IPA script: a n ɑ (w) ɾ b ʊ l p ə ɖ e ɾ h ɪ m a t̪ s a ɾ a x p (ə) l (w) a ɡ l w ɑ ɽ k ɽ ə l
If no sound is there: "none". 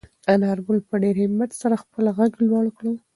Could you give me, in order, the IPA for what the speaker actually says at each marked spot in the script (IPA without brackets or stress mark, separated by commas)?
none, ə, ɣ